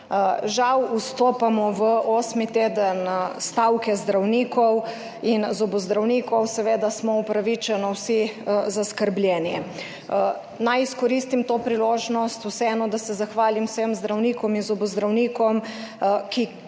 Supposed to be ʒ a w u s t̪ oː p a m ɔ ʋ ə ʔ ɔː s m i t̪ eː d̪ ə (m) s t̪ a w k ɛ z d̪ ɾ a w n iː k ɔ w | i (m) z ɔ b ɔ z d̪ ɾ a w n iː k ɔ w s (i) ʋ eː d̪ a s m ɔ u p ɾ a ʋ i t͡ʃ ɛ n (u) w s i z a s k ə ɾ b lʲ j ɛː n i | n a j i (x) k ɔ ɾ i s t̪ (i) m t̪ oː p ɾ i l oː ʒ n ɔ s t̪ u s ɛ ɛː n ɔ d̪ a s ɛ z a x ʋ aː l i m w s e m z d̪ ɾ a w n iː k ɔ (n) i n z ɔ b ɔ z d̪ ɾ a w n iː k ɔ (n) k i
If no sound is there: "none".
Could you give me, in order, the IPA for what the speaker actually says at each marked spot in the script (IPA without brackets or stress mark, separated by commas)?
n, n, ɛ, ɔ, s, i, m, m